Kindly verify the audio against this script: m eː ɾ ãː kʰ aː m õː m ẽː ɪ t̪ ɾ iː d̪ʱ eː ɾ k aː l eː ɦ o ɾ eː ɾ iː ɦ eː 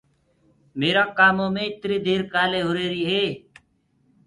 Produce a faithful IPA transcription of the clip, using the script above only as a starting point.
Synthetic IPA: m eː ɾ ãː k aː m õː m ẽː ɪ t̪ ɾ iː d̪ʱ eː ɾ k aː l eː ɦ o ɾ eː ɾ iː ɦ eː